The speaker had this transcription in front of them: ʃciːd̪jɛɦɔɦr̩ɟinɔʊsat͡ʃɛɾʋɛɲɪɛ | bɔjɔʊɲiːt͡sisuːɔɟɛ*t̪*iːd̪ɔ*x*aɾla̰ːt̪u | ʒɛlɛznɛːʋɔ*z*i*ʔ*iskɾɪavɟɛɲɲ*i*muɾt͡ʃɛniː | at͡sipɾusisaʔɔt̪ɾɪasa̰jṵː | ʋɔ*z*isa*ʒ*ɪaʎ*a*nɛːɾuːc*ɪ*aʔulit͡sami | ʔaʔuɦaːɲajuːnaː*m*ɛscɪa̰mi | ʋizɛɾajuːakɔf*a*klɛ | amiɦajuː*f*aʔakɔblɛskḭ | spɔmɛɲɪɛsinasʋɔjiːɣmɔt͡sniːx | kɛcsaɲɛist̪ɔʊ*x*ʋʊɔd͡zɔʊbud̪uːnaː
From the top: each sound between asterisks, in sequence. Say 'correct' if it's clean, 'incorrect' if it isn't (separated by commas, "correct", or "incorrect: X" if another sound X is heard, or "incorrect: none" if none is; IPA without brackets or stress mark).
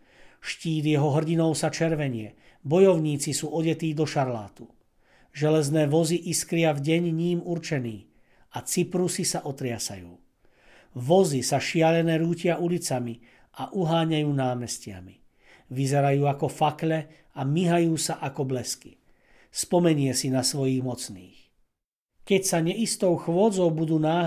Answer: correct, incorrect: ʃ, correct, correct, incorrect: iː, correct, incorrect: ʃ, incorrect: ɛ, correct, correct, correct, incorrect: s, correct